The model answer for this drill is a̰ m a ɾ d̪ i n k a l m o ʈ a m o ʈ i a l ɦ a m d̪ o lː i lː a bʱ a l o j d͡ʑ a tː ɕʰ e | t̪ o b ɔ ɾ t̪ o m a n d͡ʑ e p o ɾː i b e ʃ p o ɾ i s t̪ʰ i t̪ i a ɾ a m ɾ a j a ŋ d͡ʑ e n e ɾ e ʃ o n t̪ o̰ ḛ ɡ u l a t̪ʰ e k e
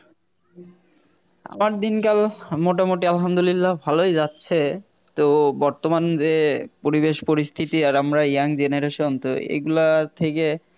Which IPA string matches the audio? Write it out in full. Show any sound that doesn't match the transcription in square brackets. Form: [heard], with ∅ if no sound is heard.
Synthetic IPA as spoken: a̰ m a ɾ d̪ i n k a l m o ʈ a m o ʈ i a l ɦ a m d̪ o [l] i lː a bʱ a l o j d͡ʑ a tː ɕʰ e | t̪ o b ɔ ɾ t̪ o m a n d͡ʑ e p o [ɾ] i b e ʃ p o ɾ i s t̪ʰ i t̪ i a ɾ a m ɾ a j a ŋ d͡ʑ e n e ɾ e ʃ o n t̪ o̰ ḛ ɡ u l a t̪ʰ e k e